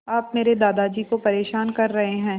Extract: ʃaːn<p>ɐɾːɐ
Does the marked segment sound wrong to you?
yes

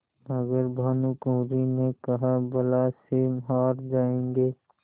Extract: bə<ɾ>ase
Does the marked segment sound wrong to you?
yes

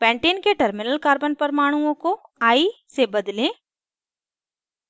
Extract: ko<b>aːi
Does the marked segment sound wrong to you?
yes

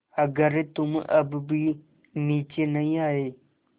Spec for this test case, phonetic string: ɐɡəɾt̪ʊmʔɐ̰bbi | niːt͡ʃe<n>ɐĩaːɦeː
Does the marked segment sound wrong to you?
no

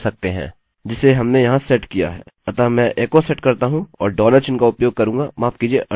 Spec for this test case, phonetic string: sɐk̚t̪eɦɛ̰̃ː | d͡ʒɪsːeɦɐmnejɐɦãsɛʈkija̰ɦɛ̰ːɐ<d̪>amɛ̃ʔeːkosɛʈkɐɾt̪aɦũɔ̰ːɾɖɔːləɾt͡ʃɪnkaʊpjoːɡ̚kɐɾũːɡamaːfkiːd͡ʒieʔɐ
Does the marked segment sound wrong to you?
yes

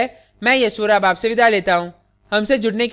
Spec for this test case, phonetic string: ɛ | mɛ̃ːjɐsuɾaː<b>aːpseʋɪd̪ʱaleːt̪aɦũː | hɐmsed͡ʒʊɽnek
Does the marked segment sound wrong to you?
no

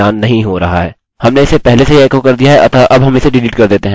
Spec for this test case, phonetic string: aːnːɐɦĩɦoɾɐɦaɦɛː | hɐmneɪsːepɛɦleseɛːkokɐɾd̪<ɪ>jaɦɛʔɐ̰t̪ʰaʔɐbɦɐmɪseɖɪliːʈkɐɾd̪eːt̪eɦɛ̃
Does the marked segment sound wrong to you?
yes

